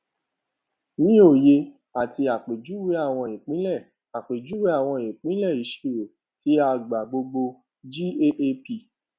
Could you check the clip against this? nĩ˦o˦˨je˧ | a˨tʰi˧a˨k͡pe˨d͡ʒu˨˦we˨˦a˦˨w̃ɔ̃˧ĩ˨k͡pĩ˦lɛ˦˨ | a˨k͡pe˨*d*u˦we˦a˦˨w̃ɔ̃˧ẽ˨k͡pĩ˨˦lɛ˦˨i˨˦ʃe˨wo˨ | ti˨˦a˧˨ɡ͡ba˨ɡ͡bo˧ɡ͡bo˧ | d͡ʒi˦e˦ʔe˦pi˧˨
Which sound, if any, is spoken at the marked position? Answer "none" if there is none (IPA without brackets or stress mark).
d͡ʒ